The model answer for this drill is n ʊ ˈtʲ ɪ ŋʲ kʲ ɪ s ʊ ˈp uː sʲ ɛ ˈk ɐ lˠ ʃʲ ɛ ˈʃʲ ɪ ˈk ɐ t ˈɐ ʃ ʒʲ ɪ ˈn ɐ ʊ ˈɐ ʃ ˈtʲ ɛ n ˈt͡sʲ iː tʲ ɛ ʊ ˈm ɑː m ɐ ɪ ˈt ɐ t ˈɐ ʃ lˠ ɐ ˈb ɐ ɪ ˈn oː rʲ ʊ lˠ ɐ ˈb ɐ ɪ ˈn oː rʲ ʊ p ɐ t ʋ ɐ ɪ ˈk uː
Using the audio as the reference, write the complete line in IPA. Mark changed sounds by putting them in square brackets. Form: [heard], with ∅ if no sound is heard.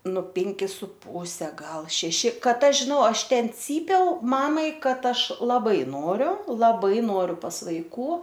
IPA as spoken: n ʊ [ˈpʲ] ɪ ŋʲ kʲ ɪ s ʊ ˈp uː sʲ ɛ [ˈɡ] ɐ lˠ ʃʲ ɛ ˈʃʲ ɪ ˈk ɐ t ˈɐ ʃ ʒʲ ɪ ˈn ɐ ʊ ˈɐ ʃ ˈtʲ ɛ n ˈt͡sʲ iː [pʲ] ɛ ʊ ˈm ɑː m ɐ ɪ [ˈk] ɐ t ˈɐ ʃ lˠ ɐ ˈb ɐ ɪ ˈn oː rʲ ʊ lˠ ɐ ˈb ɐ ɪ ˈn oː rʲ ʊ p ɐ [s] ʋ ɐ ɪ ˈk uː